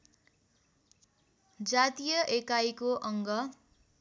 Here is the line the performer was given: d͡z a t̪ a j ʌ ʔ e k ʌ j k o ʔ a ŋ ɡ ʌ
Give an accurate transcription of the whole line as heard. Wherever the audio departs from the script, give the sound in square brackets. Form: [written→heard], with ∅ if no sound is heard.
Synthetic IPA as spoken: d͡z a t̪ [a→i] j ʌ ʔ e k [ʌ→a] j k o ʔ [a→ʌ] ŋ ɡ ʌ